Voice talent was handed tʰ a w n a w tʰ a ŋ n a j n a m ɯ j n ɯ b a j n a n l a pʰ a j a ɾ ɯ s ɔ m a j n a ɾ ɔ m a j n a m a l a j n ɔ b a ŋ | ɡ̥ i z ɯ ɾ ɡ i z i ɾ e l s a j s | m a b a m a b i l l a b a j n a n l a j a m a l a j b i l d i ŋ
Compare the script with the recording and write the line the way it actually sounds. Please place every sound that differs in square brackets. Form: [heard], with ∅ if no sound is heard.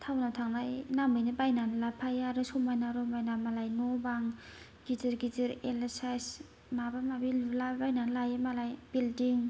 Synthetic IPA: tʰ a w n a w tʰ a ŋ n a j n a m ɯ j n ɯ b a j n a n l a pʰ a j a ɾ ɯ s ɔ m a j n a ɾ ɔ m a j n a m a l a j n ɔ b a ŋ | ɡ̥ i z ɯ ɾ ɡ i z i ɾ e l s a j s | m a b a m a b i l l a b a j n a n l a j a m a l a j b i l d i ŋ